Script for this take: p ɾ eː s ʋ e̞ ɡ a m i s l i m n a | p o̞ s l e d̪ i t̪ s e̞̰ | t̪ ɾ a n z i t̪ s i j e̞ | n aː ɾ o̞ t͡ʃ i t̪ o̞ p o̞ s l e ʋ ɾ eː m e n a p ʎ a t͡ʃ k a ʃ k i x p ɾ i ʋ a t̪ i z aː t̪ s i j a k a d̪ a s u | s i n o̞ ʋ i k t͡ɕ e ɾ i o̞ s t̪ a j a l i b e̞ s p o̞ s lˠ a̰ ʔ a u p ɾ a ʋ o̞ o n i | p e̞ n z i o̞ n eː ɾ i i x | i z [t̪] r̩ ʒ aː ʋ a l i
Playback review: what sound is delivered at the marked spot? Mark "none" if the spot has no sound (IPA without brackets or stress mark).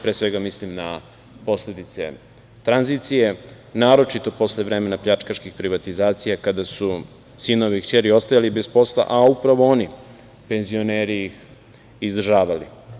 d̪